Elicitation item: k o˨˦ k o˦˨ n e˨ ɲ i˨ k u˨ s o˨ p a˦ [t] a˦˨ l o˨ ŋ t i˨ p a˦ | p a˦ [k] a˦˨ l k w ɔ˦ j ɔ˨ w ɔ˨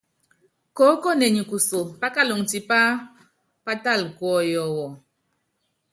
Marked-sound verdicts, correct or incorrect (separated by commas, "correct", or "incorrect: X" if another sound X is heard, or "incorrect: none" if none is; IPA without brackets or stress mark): incorrect: k, incorrect: t